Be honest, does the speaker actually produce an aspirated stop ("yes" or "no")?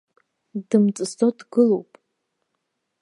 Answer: no